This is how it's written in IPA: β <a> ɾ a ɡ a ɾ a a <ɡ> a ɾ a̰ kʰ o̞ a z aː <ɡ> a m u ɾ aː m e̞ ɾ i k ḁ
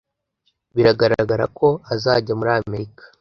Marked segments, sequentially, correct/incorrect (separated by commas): incorrect, correct, incorrect